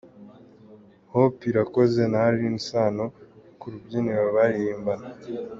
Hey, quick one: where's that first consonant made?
throat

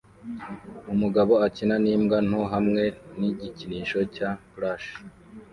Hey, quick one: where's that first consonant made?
lips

